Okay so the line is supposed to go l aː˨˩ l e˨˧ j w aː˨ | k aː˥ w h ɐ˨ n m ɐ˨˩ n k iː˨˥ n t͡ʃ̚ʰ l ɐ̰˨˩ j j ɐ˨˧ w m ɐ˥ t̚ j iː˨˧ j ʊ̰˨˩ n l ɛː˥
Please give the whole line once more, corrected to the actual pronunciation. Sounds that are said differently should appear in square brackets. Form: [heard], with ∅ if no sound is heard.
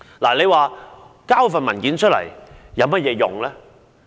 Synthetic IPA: l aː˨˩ l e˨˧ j w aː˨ | k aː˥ w [f] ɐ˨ n m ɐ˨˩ n k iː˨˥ n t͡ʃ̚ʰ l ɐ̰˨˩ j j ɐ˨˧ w m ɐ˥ t̚ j [ɛː˨˧] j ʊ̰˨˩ [ŋ] l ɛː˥